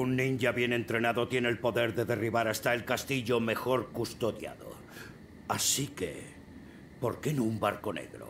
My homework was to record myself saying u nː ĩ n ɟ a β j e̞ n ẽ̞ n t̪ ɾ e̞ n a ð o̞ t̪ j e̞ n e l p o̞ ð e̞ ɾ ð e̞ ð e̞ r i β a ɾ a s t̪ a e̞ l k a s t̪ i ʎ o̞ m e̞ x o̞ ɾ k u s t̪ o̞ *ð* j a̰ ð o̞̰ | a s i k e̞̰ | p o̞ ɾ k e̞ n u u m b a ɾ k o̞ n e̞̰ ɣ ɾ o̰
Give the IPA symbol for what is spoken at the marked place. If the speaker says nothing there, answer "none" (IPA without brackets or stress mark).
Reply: ð